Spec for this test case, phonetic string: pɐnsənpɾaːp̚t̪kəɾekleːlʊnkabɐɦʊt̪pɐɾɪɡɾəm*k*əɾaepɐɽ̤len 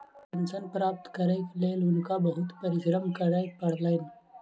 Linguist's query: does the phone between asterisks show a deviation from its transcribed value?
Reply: no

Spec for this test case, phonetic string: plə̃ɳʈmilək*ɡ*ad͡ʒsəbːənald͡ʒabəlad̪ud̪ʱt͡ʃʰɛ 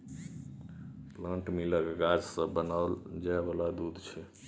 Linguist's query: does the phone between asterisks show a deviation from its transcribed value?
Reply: no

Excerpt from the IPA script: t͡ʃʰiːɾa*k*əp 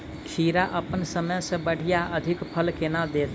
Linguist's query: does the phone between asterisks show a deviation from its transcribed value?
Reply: yes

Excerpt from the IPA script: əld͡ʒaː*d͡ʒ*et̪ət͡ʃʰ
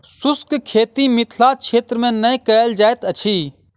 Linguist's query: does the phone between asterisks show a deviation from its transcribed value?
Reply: yes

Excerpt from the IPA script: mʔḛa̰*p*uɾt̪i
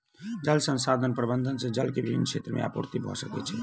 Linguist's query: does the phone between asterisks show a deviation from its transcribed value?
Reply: no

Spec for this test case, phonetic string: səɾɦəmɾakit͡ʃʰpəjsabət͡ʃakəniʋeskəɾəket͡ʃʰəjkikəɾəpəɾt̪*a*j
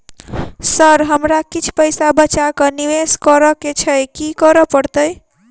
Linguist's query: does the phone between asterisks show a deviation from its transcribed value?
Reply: yes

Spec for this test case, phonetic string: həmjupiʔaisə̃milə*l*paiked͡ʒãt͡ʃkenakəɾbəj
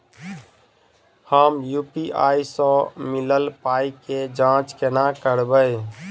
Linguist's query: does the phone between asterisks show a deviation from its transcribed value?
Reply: no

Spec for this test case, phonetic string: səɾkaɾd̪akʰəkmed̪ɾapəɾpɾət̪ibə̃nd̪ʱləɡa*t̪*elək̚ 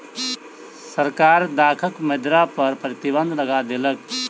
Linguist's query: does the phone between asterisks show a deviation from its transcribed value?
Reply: yes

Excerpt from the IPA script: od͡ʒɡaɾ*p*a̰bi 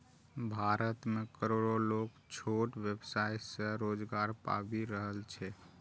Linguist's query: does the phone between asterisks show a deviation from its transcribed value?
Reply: no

